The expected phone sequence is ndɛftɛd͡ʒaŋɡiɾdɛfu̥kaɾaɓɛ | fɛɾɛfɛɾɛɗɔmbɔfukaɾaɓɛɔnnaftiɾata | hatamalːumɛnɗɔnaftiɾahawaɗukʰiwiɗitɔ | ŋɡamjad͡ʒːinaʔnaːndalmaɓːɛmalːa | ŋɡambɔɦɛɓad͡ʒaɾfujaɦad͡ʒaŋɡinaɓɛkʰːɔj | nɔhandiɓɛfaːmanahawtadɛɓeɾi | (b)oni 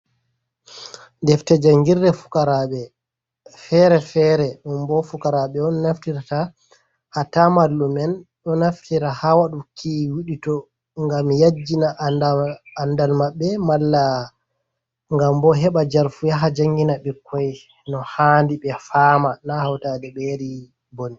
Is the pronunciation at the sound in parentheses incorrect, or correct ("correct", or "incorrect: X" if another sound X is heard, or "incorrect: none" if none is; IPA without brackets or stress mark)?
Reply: correct